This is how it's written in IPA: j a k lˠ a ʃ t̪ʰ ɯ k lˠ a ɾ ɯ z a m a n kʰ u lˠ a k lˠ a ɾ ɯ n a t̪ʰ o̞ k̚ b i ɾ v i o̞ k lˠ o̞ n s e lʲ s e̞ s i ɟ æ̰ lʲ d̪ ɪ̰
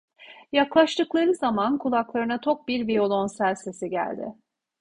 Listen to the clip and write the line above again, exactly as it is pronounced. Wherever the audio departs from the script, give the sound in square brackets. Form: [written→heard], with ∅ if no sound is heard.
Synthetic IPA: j a k lˠ a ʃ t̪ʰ ɯ k lˠ a ɾ ɯ z a m a n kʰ u lˠ a k lˠ a ɾ ɯ n a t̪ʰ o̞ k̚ b i ɾ v i o̞ [k→∅] lˠ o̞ n s [e→æ] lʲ s e̞ s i ɟ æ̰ lʲ d̪ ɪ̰